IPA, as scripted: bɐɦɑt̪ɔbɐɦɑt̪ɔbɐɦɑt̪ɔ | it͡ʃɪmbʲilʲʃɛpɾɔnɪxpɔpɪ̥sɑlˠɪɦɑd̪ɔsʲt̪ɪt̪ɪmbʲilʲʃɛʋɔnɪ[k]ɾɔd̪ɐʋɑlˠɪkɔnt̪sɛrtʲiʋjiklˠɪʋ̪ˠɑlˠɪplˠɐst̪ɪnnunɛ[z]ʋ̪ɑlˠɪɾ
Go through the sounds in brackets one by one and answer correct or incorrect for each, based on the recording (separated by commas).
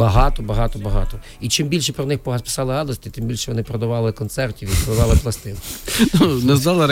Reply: incorrect, correct